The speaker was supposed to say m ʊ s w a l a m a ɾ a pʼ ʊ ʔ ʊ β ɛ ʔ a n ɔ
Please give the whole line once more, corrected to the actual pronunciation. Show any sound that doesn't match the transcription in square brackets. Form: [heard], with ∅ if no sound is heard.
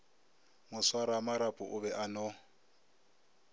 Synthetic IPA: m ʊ s w a [ɾ] a m a ɾ a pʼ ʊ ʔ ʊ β ɛ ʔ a n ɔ